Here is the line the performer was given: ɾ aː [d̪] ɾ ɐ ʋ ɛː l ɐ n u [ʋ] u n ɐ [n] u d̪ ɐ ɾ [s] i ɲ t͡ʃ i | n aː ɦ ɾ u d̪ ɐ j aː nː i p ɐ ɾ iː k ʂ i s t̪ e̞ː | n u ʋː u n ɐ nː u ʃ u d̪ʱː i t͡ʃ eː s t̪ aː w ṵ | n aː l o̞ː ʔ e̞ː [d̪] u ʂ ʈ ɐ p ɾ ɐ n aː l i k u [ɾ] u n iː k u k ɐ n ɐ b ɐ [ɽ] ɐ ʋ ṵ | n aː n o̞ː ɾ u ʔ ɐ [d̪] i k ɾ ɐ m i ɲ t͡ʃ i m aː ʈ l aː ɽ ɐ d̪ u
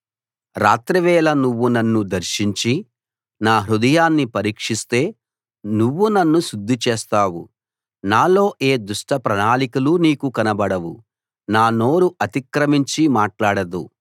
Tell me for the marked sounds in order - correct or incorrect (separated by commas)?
incorrect, incorrect, incorrect, incorrect, correct, incorrect, correct, incorrect